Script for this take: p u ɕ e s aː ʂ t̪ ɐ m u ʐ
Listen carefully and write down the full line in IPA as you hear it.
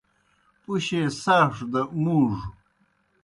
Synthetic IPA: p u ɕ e s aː ʂ d̪ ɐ m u ʐ